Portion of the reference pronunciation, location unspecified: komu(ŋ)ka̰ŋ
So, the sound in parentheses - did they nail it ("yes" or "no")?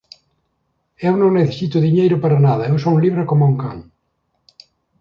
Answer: yes